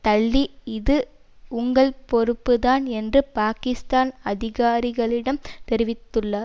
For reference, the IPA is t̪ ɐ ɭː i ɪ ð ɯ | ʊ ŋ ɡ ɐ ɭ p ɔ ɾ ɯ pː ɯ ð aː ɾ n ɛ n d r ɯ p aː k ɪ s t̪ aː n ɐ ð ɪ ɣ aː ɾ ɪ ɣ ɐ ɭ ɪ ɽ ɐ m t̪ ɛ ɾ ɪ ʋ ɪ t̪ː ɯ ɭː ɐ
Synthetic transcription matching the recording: t̪ ɐ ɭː i ɪ ð ɯ | ʊ ŋ ɡ ɐ ɭ p ɔ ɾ ɯ pː ɯ ð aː n ɛ n d r ɯ p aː k ɪ s t̪ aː n ɐ ð ɪ ɣ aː ɾ ɪ ɣ ɐ ɭ ɪ ɽ ɐ m t̪ ɛ ɾ ɪ ʋ ɪ t̪ː ɯ ɭː ɐ